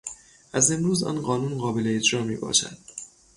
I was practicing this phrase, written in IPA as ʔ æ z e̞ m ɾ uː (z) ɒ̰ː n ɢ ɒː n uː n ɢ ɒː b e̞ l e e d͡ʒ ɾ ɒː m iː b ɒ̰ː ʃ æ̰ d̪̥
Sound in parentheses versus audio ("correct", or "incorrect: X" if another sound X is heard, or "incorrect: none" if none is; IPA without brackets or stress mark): correct